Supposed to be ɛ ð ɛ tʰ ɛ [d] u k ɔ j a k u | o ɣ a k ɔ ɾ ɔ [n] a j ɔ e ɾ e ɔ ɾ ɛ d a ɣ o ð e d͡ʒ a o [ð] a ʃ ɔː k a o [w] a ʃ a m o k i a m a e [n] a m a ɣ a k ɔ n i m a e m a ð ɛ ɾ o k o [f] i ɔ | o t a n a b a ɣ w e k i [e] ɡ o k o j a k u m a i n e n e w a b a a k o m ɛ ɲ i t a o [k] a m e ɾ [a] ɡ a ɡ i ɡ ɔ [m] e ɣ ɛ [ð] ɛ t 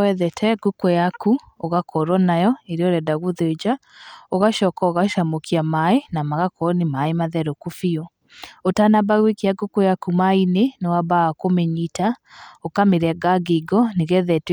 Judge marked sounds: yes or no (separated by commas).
no, yes, no, no, yes, yes, no, yes, no, no, yes